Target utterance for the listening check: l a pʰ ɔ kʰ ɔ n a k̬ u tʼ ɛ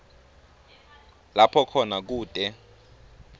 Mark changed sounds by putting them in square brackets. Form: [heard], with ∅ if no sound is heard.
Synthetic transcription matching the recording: l a pʰ ɔ kʰ ɔ n a k̬ [uː] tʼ ɛ